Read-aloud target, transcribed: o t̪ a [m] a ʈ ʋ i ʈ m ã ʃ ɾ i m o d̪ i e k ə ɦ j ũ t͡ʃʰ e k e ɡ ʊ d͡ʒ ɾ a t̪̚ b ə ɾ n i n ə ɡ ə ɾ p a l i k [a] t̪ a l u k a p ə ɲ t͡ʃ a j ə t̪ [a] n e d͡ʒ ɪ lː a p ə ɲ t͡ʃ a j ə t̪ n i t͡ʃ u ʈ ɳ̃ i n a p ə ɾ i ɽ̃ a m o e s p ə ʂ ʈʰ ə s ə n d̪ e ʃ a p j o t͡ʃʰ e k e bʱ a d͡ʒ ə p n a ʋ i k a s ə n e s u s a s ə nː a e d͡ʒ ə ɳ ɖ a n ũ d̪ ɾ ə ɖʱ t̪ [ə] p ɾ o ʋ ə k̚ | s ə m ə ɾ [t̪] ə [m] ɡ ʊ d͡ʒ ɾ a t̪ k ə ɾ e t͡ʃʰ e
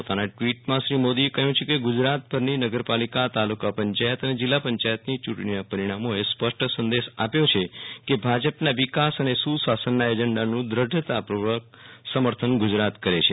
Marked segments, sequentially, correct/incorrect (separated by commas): incorrect, correct, incorrect, incorrect, incorrect, incorrect